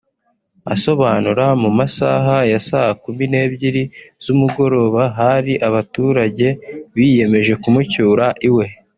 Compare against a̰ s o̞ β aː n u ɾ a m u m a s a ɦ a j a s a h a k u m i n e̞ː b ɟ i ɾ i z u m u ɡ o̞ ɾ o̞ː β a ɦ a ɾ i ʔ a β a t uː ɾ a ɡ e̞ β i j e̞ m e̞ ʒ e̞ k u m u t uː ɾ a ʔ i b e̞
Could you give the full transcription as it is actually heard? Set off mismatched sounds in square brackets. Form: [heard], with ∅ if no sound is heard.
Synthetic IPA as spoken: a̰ s o̞ β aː n u ɾ a m u m a s a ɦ a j a s a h a k u m i n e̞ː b ɟ i ɾ i z u m u ɡ o̞ ɾ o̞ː β a ɦ a ɾ i ʔ a β a t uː ɾ a [ɟ] e̞ β i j e̞ m e̞ ʒ e̞ k u m u [c] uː ɾ a ʔ i [w] e̞